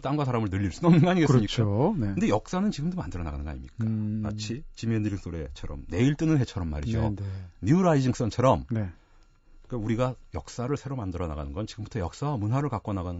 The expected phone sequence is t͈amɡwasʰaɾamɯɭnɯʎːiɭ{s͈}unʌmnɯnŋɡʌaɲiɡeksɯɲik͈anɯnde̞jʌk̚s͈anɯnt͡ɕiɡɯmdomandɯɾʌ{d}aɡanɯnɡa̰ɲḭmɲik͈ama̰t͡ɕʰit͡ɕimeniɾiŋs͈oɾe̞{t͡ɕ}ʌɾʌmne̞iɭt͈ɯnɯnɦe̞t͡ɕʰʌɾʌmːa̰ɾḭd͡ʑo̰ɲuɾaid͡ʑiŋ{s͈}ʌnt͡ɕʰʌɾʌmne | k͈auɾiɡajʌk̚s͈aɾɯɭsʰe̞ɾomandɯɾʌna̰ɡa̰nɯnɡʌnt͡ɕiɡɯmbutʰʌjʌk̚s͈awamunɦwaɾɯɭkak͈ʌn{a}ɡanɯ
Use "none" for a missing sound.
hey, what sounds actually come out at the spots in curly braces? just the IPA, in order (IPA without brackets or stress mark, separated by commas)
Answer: s͈, n, t͡ɕʰ, s͈, a